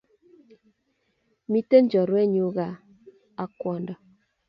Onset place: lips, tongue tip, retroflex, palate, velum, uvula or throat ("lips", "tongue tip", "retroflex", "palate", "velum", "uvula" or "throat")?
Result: lips